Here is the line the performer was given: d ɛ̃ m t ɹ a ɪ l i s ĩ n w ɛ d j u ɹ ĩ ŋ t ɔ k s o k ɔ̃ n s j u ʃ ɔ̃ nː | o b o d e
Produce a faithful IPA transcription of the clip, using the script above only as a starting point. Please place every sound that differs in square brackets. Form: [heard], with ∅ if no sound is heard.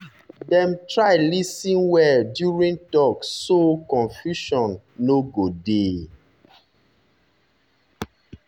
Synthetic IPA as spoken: d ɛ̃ m t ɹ a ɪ l i s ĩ n w ɛ d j u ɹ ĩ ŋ t ɔ k s o k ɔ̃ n [f] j u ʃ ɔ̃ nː | o [ɡ] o d e